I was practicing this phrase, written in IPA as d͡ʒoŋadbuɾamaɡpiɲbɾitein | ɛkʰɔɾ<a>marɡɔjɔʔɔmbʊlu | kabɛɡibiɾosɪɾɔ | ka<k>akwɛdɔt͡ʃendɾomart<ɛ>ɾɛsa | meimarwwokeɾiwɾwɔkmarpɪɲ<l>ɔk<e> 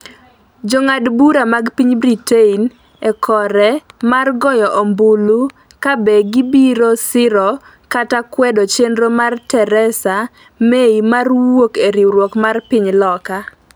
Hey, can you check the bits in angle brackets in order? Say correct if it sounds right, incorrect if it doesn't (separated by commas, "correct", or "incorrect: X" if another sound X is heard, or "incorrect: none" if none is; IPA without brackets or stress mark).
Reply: incorrect: ɛ, incorrect: t, correct, correct, incorrect: a